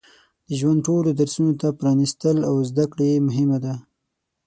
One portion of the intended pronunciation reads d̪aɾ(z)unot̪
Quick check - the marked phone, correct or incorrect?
incorrect